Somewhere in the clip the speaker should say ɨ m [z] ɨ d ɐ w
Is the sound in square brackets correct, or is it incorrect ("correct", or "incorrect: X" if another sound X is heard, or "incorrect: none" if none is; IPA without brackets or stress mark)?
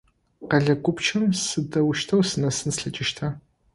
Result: incorrect: s